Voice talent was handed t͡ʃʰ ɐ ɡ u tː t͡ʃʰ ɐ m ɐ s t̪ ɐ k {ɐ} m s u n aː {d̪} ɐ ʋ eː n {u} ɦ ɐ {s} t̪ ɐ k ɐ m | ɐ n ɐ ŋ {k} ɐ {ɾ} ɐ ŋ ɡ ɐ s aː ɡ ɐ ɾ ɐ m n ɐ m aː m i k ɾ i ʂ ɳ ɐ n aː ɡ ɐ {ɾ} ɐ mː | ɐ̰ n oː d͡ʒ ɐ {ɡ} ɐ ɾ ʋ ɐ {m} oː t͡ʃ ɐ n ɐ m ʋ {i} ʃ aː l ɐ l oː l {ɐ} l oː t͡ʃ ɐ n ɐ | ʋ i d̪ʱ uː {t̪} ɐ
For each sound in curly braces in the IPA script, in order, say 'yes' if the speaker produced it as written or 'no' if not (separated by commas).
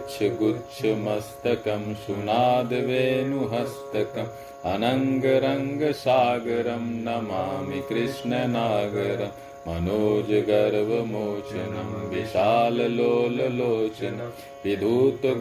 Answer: yes, yes, yes, yes, no, yes, yes, yes, yes, yes, yes, yes